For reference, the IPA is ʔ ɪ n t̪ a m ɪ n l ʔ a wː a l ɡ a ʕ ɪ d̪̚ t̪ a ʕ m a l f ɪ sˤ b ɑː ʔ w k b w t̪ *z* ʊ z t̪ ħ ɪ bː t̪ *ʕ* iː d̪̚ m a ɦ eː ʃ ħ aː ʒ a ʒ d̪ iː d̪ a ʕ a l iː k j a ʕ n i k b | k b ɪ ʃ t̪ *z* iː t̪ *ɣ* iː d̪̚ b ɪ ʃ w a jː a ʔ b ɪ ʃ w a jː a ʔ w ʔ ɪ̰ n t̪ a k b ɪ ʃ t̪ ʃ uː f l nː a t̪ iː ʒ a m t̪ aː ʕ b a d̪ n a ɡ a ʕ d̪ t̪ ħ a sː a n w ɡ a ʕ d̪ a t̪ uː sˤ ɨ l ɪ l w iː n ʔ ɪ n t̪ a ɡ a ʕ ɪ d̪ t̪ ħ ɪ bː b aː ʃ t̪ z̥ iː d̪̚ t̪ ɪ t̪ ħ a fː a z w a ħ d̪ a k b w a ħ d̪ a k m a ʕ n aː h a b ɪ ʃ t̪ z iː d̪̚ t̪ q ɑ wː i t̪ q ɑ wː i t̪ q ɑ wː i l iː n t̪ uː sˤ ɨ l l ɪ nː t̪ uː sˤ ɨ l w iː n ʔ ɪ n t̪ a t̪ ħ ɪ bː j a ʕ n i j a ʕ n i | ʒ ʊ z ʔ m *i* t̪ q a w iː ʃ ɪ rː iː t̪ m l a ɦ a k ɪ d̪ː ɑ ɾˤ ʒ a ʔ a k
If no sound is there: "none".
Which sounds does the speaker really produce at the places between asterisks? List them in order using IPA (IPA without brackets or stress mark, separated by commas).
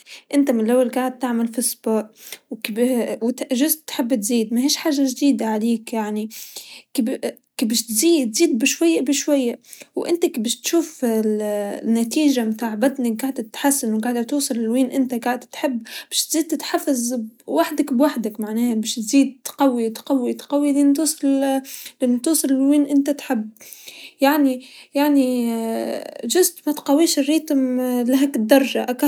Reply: ʒ, z, z, z, a